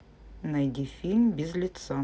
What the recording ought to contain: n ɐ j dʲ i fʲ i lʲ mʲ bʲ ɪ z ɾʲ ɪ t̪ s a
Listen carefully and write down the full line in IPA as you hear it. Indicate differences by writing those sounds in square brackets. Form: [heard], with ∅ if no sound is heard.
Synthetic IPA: n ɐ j dʲ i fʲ i lʲ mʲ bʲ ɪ z [lʲ] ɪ t̪ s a